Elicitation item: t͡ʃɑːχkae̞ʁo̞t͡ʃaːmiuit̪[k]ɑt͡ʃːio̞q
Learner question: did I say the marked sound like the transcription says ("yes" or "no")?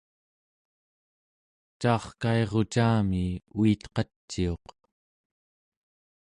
no